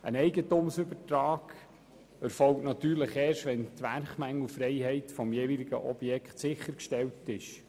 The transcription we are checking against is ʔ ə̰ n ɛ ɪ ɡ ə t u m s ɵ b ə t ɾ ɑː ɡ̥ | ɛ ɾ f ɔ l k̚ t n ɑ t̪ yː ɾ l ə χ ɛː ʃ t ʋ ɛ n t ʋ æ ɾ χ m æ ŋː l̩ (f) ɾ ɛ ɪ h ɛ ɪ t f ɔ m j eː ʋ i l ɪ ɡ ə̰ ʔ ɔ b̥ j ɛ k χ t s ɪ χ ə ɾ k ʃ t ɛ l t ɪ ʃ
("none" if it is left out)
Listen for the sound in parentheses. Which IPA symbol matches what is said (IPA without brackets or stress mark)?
f